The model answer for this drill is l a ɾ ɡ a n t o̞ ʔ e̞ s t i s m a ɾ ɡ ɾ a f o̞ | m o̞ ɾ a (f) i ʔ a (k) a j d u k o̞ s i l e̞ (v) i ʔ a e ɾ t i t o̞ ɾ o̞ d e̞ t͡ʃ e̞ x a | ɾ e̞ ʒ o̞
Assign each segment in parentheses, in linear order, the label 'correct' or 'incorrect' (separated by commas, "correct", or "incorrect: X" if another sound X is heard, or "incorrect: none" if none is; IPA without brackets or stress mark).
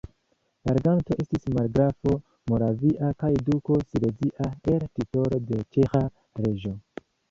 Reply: incorrect: v, correct, incorrect: z